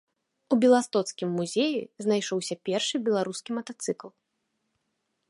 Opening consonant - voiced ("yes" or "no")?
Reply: yes